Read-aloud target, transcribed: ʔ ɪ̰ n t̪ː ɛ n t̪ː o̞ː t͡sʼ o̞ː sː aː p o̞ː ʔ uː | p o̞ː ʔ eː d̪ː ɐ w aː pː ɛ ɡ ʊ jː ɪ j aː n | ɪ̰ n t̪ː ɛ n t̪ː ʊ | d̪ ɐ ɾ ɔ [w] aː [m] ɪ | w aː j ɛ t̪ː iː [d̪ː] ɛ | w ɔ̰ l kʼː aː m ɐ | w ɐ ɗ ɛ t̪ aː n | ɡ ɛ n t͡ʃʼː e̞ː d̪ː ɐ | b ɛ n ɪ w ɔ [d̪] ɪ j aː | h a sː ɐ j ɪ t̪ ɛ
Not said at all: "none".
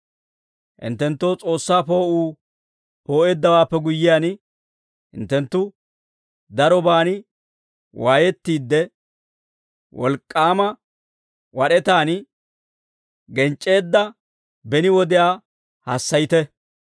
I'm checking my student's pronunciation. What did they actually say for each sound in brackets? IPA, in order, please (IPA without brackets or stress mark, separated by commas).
b, n, d̪ː, d̪